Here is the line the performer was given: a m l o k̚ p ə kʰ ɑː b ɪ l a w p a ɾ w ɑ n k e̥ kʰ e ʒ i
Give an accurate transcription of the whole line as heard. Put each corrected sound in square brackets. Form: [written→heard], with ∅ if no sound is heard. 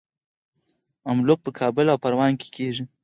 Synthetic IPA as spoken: a m l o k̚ p ə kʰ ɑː b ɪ l a w p a ɾ w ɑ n k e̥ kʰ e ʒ i

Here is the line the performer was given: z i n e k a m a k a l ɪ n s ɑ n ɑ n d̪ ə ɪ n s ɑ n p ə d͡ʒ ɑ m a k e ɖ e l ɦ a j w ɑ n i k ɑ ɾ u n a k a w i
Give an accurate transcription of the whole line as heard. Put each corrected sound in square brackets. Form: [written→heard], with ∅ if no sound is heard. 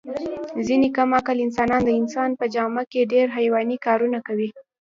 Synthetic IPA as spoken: z i n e k a m a k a l ɪ n s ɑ n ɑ n d̪ ə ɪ n s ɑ n p ə d͡ʒ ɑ m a k e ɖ e [l→ɾ] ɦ a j w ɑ n i k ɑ ɾ u n a k a w i

